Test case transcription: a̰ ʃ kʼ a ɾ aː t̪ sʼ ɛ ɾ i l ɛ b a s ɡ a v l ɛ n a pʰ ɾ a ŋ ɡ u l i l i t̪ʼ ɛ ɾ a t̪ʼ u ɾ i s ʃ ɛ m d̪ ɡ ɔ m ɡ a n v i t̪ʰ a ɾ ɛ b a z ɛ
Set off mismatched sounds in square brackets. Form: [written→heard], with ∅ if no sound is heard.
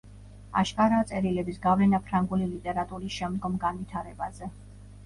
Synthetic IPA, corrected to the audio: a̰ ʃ kʼ a ɾ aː t̪ sʼ ɛ ɾ i l ɛ b [a→i] s ɡ a v l ɛ n a pʰ ɾ a ŋ ɡ u l i l i t̪ʼ ɛ ɾ a t̪ʼ u ɾ i s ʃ ɛ m d̪ ɡ ɔ m ɡ a n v i t̪ʰ a ɾ ɛ b a z ɛ